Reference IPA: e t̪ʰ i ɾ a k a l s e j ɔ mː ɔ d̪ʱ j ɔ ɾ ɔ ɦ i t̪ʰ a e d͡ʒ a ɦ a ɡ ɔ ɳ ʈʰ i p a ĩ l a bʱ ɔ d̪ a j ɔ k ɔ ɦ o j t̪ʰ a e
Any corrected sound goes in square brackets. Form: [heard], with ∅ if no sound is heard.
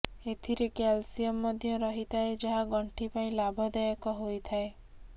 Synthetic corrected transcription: e t̪ʰ i ɾ [e] k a l s [i] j ɔ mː ɔ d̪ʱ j ɔ ɾ ɔ ɦ i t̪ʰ a e d͡ʒ a ɦ a ɡ ɔ ɳ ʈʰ i p a ĩ l a bʱ ɔ d̪ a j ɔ k ɔ ɦ o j t̪ʰ a e